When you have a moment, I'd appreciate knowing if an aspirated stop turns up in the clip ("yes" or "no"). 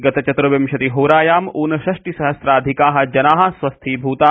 yes